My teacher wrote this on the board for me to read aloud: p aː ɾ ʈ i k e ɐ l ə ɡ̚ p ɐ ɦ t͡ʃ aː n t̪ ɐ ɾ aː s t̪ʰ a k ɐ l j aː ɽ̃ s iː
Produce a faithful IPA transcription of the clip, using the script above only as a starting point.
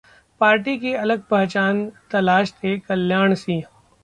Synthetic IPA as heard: p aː ɾ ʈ i k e ɐ l ə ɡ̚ p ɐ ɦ t͡ʃ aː n t̪ ɐ l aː ʃ t̪ʰ e k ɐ l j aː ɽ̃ s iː